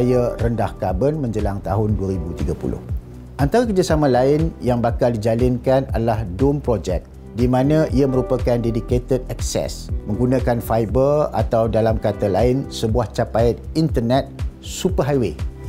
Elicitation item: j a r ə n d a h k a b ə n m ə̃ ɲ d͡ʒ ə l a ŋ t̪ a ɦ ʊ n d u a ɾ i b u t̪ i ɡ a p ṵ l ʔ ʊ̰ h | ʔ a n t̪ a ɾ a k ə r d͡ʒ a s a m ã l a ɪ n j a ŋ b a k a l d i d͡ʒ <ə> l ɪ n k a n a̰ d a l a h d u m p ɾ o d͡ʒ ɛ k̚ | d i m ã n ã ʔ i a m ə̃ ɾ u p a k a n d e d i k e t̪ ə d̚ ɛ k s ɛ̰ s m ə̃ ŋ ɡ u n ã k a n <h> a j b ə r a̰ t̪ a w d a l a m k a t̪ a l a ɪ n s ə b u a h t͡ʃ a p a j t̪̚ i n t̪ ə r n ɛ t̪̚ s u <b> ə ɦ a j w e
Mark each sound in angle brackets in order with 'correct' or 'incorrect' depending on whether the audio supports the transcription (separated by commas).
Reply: incorrect, incorrect, incorrect